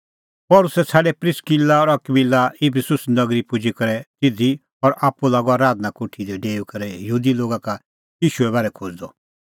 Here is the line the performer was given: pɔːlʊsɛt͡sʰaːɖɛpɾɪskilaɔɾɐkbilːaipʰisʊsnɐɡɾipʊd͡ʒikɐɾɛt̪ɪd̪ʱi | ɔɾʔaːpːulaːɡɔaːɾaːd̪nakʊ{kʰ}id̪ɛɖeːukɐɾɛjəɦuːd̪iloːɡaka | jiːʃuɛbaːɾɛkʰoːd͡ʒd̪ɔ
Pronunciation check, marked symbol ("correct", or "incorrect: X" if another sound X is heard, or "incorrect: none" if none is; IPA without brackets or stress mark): incorrect: ʈʰ